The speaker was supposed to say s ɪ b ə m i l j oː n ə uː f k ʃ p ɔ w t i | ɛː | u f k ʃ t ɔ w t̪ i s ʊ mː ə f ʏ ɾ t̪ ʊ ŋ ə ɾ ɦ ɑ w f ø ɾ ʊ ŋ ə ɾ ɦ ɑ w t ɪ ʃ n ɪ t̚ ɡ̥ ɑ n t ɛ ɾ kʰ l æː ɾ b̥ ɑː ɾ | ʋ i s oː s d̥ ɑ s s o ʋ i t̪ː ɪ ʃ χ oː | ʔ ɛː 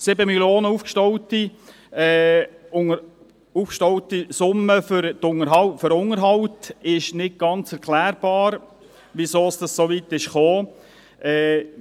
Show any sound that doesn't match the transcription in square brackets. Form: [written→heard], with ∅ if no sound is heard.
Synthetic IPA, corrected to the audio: s ɪ b ə m i l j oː n ə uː f k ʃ [p→t] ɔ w t i | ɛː | u f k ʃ t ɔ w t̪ i s ʊ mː ə f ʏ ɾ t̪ ʊ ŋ ə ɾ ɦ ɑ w f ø ɾ ʊ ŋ ə ɾ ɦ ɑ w t ɪ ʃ n ɪ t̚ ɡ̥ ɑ n [t→t͡s] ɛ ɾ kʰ l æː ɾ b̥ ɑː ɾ | ʋ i s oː s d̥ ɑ s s o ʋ i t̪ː ɪ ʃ χ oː | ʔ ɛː